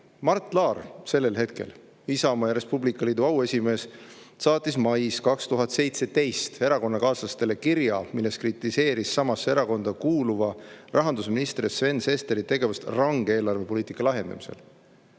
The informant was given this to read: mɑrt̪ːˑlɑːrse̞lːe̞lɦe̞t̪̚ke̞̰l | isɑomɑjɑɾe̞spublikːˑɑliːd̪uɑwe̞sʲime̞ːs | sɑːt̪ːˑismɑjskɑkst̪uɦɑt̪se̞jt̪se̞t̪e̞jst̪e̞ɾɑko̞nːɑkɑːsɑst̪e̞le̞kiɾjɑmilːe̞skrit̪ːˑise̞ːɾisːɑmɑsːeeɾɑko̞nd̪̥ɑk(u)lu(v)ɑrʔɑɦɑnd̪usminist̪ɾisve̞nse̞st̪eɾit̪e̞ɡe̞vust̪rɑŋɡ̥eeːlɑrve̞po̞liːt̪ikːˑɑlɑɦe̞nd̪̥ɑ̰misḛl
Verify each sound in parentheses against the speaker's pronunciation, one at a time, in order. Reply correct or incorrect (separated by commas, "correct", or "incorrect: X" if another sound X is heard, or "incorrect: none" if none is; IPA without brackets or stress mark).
incorrect: uː, correct